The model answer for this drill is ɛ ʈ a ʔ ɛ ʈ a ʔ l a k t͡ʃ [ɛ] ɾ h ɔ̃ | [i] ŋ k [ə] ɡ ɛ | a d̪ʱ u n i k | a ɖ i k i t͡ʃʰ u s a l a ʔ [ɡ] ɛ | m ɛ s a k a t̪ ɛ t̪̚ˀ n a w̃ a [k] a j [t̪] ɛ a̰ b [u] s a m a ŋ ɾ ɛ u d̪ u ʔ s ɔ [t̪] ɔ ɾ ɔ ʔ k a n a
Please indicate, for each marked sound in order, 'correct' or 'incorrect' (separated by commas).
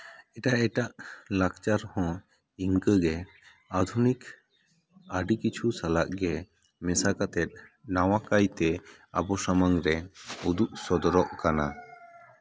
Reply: incorrect, correct, correct, correct, correct, correct, incorrect, incorrect